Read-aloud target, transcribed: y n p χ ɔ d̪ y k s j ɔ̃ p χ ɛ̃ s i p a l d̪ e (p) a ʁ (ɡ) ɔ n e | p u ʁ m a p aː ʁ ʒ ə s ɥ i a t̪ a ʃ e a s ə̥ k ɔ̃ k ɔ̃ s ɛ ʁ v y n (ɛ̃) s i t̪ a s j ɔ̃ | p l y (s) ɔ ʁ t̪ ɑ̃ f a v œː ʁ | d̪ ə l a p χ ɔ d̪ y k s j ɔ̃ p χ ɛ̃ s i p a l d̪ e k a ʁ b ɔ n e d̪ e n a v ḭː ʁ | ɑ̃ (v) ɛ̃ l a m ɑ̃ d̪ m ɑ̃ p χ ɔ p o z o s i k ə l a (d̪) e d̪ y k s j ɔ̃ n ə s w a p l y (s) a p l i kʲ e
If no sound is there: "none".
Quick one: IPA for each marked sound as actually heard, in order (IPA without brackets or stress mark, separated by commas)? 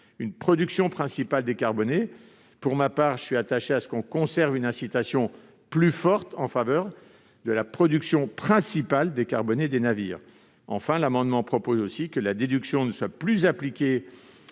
k, b, ɛ̃, f, f, d̪, z